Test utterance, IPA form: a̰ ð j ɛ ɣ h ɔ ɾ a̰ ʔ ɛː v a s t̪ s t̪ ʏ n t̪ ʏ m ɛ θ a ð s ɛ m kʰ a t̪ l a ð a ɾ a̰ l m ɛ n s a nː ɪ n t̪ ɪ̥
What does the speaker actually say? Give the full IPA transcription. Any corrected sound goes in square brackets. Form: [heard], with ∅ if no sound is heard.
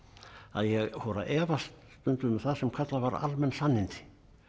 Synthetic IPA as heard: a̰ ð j ɛ ɣ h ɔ ɾ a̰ ʔ ɛː v a s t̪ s t̪ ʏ n t̪ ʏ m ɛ θ a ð s ɛ m kʰ a t̪ l a [v] a ɾ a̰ l m ɛ n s a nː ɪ n t̪ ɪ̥